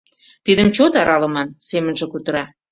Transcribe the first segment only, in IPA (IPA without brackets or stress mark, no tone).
t̪